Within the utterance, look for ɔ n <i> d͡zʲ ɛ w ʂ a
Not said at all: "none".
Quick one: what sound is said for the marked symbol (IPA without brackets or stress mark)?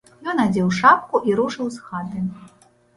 a